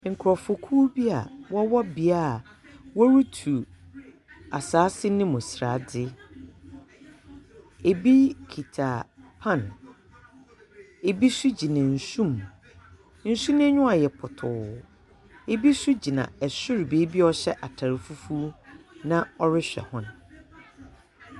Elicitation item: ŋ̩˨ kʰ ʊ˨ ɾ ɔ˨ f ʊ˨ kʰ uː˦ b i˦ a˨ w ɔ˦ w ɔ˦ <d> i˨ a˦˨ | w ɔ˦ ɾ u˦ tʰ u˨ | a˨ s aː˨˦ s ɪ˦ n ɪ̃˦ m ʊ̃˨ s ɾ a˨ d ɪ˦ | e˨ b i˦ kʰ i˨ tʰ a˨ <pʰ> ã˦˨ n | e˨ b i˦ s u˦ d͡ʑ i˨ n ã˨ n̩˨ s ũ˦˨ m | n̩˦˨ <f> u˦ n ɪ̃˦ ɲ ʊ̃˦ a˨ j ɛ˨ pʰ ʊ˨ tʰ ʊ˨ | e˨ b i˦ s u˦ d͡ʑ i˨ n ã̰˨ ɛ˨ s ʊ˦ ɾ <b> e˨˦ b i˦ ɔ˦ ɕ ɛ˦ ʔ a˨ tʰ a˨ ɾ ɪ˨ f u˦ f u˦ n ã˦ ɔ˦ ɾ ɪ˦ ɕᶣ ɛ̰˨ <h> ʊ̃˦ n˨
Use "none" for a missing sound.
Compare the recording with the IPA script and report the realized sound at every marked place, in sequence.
b, pʰ, s, b, h

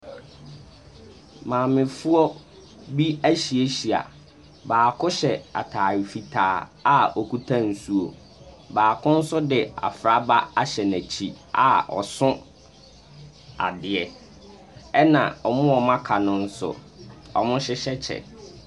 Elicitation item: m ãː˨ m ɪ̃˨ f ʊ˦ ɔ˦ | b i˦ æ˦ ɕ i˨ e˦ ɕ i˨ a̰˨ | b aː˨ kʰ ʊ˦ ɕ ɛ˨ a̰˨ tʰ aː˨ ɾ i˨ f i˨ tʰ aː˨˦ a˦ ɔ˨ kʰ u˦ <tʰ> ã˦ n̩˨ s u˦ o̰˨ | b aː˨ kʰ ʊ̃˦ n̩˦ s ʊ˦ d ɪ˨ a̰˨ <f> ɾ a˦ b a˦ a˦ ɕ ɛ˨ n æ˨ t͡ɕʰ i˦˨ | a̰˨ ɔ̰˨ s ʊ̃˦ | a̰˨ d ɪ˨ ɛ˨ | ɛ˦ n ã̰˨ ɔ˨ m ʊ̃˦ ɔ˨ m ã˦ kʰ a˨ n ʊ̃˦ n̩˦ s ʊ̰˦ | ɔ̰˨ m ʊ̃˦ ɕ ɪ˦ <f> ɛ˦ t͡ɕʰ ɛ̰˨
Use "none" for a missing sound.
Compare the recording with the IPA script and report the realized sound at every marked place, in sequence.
tʰ, f, ɕ

